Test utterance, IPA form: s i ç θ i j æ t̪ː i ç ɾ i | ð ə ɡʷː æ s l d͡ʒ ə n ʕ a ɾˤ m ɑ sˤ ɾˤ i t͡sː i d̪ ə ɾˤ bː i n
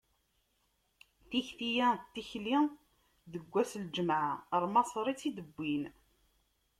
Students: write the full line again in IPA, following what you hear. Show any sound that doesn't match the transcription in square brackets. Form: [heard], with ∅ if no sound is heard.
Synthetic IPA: [θ] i ç θ i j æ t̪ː i ç [l] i | ð ə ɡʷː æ s l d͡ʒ ə [m] ʕ a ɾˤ m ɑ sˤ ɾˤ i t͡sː i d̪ ə [∅] bː i n